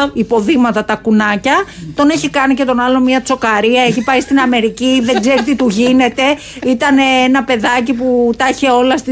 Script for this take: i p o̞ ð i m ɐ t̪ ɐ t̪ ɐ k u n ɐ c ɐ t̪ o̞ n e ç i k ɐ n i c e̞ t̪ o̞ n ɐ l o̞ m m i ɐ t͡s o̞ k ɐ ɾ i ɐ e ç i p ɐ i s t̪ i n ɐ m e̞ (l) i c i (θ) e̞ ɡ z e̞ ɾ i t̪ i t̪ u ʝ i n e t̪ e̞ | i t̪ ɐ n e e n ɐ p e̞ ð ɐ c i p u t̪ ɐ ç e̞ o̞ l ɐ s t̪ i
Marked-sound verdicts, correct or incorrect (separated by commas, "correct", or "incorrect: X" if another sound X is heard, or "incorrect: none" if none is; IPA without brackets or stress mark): incorrect: ɾ, incorrect: ð